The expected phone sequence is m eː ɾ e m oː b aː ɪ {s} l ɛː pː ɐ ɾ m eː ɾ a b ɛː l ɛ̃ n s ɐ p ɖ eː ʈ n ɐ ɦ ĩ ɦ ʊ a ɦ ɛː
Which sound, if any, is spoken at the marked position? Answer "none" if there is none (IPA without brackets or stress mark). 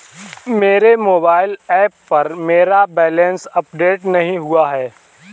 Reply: none